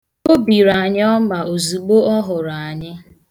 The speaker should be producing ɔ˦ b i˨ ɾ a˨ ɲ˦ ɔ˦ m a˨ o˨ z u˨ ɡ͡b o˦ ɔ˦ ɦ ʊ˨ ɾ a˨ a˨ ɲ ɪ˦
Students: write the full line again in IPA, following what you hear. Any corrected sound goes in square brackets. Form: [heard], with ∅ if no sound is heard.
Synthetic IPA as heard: [o˦] b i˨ ɾ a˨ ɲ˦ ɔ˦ m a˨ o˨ z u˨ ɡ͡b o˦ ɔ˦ ɦ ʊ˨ ɾ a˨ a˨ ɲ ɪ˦